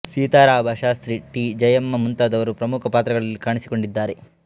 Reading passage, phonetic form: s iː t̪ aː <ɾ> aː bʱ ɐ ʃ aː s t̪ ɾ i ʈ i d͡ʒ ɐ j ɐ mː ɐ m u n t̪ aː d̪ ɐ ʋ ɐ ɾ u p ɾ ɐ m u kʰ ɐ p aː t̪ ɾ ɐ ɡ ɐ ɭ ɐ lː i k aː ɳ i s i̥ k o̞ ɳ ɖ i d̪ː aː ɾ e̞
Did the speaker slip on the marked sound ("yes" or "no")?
no